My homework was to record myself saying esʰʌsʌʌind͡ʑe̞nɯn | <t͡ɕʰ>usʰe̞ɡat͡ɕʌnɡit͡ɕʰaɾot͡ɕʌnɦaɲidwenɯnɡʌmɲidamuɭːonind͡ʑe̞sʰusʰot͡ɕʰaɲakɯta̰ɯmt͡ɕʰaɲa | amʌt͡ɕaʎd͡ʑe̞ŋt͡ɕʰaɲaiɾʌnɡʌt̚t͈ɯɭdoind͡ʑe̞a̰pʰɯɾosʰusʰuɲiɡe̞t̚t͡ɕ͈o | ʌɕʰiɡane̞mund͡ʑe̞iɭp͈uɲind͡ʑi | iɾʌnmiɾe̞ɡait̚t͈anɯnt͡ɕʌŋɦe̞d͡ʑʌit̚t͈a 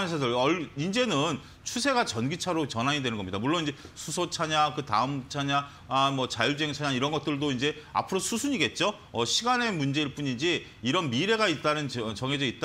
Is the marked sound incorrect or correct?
correct